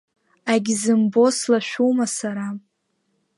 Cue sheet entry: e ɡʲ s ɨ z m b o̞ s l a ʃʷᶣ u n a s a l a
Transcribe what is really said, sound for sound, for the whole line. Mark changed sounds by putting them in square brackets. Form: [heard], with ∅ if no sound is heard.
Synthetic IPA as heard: [a] ɡʲ [z] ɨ [∅] m b o̞ s l a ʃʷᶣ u [m] a s a [ɾ] a

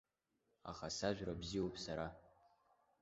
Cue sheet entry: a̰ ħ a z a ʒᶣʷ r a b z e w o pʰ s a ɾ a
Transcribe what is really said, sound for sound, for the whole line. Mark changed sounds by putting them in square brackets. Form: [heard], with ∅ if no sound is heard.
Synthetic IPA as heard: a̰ [χ] a [s] a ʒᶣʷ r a b z [i] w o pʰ s a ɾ a

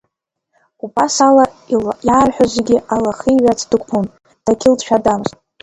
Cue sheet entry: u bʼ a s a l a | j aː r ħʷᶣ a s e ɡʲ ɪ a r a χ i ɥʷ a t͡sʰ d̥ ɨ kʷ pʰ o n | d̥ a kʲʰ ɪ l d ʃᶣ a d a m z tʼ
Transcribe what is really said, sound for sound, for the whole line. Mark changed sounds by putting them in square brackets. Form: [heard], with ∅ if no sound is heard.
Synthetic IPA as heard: u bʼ a s a l a | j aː r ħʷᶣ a [z] e ɡʲ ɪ a [l] a χ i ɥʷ a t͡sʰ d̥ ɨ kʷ pʰ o n | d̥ a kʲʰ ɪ l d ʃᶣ a d a m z tʼ

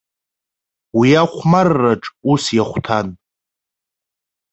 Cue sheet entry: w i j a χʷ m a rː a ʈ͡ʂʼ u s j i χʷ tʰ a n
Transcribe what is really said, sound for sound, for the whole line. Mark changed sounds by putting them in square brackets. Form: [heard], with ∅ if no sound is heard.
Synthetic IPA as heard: w i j a χʷ m a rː a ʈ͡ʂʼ u s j [a] χʷ tʰ a n

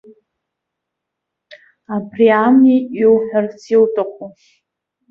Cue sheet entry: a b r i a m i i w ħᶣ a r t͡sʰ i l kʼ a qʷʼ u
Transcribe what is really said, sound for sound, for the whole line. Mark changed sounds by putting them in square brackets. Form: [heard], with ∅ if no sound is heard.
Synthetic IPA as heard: a b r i a m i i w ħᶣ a r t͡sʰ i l [tʼ] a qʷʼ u

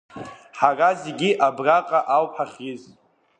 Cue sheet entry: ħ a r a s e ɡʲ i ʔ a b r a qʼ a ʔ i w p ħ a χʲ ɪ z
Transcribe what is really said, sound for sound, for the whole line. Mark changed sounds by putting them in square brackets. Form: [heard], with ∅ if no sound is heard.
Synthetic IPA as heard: ħ a r a [z] e ɡʲ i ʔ a b r a qʼ a ʔ [a] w p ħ a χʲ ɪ z

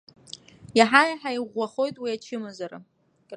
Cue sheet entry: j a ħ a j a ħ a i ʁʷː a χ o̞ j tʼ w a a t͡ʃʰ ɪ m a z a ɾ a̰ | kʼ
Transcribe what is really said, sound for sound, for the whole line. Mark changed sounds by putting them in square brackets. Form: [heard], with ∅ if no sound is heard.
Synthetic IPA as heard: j a ħ a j a ħ a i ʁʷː a χ o̞ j tʼ w [i] a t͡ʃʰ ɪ m a z a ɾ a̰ | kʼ

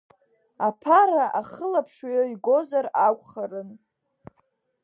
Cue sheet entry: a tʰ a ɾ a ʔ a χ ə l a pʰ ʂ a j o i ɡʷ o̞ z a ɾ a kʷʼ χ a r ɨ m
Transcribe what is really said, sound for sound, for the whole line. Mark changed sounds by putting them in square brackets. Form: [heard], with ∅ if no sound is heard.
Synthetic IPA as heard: a [pʰ] a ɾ a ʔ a χ ə l a pʰ ʂ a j o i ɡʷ o̞ z a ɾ a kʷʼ χ a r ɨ [n]

